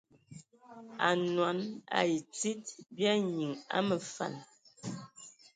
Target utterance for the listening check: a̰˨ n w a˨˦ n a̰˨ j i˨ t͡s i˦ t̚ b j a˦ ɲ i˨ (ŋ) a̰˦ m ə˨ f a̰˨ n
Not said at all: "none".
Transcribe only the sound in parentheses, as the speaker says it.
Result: ŋ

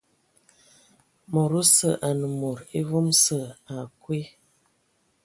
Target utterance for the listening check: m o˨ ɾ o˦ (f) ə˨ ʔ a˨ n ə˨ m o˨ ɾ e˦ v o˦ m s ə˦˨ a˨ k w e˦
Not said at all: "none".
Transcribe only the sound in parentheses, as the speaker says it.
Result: s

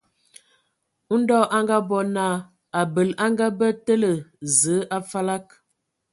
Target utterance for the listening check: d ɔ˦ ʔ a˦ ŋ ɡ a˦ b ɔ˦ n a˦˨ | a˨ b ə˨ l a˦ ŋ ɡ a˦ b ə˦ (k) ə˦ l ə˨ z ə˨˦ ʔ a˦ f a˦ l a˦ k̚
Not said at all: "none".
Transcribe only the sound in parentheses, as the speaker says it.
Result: t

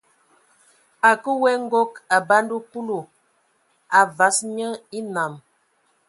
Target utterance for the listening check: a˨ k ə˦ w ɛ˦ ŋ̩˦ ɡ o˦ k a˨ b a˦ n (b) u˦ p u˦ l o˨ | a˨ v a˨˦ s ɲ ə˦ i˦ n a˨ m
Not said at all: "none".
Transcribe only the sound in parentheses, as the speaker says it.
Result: d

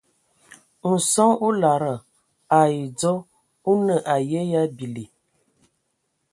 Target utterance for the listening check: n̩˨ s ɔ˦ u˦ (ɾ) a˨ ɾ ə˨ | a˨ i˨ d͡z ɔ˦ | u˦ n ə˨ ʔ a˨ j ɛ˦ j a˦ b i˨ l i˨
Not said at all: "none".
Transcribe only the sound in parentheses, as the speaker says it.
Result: l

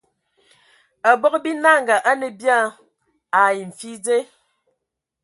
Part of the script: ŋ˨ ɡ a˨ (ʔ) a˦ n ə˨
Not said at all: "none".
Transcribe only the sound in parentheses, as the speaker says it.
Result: ʔ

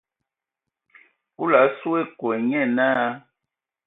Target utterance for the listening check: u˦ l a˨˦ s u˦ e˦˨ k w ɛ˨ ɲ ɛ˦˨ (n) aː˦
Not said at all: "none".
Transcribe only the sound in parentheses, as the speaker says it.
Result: n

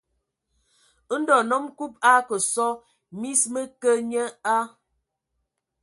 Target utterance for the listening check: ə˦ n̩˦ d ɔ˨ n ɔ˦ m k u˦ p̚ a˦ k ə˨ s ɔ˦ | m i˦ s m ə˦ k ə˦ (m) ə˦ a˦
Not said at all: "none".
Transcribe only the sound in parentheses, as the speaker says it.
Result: ɲ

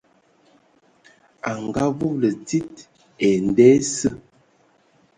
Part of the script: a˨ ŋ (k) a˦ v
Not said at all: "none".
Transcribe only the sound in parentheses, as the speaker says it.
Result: ɡ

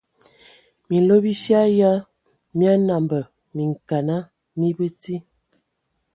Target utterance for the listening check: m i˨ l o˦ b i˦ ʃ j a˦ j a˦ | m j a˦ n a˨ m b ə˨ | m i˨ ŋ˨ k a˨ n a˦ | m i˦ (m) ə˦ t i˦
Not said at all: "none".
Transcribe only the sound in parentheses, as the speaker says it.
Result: b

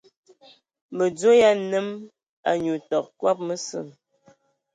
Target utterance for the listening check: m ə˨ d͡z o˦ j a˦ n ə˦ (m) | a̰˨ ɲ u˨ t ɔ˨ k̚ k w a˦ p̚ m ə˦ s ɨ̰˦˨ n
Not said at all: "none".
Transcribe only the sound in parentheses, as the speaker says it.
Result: m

